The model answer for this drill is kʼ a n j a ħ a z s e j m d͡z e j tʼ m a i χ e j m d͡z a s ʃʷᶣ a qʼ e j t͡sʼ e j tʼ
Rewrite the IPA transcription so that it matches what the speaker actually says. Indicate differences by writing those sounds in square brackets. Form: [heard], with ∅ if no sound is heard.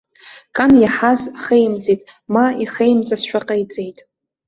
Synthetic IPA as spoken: kʼ a n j a ħ a z [χ] e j m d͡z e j tʼ m a i χ e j m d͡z a s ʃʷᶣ a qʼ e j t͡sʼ e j tʼ